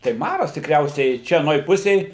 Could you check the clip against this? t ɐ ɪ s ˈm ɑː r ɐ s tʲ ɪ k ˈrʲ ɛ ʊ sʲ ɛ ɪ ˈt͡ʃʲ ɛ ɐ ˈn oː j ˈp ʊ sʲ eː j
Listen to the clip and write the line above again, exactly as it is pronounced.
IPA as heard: t ɐ ɪ ˈm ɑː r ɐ s tʲ ɪ k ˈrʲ ɛ ʊ sʲ ɛ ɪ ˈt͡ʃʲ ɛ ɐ ˈn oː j ˈp ʊ sʲ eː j